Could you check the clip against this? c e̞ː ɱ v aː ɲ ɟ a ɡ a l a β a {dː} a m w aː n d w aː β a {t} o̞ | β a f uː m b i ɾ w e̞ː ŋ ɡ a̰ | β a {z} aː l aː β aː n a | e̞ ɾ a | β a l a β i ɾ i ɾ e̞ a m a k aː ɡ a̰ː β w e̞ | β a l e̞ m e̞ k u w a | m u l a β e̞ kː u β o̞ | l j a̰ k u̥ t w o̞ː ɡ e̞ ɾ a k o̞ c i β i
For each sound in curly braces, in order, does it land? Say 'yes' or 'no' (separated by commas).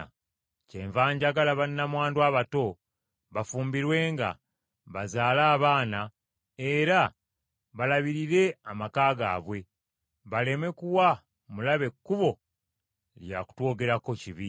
no, yes, yes